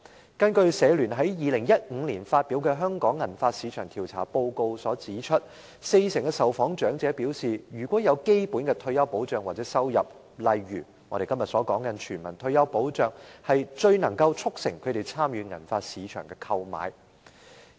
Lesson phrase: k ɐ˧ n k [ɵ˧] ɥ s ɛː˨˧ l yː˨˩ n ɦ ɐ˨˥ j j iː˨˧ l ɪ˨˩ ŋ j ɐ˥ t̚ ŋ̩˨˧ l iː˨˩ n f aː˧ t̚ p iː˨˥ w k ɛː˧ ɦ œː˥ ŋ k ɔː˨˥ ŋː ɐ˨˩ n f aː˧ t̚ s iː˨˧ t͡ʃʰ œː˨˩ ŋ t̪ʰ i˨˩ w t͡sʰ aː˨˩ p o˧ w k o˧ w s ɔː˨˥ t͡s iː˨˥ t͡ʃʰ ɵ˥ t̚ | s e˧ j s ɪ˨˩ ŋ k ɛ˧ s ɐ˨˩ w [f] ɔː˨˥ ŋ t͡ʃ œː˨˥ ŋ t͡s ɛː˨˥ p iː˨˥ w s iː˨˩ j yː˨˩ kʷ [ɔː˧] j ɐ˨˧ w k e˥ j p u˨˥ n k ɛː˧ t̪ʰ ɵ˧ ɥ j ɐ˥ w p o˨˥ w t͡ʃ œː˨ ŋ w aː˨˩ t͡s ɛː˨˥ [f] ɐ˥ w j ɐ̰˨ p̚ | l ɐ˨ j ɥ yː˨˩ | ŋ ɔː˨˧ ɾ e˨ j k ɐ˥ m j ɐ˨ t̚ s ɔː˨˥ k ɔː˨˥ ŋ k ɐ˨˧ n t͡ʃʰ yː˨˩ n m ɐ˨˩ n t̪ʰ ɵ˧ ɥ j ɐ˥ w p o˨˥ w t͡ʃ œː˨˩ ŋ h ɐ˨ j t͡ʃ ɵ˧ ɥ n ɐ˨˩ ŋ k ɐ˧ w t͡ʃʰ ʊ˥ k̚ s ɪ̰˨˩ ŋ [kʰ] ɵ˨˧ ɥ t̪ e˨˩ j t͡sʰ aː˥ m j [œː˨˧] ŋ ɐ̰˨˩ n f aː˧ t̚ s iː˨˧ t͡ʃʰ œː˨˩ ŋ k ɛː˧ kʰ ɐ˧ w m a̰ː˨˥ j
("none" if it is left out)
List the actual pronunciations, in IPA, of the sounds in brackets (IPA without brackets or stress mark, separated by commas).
ɵ˧, f, ɔː˨˥, s, kʰ, yː˨˧